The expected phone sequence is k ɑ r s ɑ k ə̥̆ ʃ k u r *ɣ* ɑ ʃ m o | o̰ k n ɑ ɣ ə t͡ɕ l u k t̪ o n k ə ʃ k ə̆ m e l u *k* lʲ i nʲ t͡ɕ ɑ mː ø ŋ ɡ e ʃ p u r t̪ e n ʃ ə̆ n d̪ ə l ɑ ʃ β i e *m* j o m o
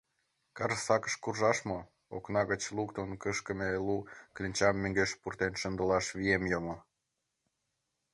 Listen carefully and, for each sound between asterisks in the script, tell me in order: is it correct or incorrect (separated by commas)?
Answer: incorrect, correct, correct